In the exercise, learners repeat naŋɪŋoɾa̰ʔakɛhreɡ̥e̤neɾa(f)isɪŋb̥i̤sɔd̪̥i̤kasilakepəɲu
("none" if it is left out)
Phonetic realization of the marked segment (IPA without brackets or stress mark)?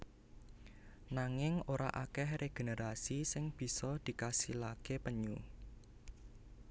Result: s